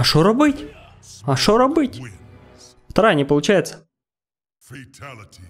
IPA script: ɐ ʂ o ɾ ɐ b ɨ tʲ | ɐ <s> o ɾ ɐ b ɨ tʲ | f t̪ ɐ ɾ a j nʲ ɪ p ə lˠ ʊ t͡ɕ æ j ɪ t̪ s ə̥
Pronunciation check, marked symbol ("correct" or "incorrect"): incorrect